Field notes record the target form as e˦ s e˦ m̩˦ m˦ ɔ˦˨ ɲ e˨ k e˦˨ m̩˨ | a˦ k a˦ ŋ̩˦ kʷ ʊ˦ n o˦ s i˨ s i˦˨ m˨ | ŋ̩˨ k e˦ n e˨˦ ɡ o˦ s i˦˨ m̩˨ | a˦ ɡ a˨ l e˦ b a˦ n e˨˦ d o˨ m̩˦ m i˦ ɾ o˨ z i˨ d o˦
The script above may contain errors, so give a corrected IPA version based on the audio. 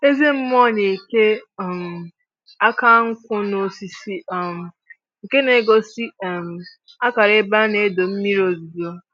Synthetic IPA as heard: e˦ z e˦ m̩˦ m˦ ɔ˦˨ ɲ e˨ k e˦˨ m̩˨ | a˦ k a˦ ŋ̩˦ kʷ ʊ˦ n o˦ s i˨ s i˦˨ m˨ | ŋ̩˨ k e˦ n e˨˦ ɡ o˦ s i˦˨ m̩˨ | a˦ k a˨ ɾ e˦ b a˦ n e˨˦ d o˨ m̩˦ m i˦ ɾ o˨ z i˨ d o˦

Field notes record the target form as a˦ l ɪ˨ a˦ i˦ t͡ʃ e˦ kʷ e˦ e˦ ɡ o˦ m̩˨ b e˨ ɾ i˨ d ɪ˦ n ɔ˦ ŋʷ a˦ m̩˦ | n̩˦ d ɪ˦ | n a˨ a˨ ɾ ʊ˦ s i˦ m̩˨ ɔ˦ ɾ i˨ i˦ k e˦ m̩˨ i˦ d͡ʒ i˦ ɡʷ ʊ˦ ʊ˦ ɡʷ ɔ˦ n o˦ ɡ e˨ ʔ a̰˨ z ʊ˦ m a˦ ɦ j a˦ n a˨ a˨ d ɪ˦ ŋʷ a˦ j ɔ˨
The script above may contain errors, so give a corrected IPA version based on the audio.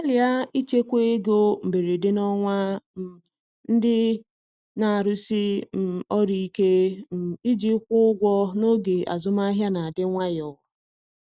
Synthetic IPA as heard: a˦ l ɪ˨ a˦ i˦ t͡ʃ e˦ kʷ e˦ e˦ ɡ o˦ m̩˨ b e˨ ɾ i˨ d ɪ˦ n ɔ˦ ŋʷ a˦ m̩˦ | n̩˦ d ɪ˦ | n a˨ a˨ ɾ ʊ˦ s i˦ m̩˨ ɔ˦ ɾ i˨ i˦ k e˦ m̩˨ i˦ d͡ʒ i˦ kʷ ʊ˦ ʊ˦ ɡʷ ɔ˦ n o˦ ɡ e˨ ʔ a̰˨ z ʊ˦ m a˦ ɦ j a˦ n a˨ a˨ d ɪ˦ ŋʷ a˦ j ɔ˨

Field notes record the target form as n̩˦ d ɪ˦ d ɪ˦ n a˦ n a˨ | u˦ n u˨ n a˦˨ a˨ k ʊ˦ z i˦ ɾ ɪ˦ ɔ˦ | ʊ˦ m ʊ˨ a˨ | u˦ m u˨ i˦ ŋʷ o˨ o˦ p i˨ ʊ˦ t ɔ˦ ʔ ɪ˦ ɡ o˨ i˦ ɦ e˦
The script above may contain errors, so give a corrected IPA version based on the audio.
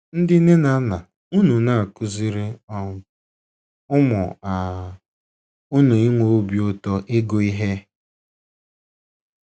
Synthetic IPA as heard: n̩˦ d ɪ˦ n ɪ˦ n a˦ n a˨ | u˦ n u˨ n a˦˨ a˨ k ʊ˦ z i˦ ɾ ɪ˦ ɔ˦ | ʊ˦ m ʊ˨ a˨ | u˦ n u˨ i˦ ŋʷ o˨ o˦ b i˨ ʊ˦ t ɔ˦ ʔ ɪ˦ ɡ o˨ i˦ ɦ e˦

